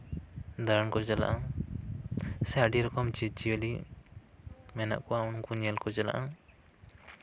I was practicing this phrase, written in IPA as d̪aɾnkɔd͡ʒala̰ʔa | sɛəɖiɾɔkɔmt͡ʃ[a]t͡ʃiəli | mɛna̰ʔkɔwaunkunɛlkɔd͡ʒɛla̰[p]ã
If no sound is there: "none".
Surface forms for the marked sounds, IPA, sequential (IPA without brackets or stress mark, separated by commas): i, ʔ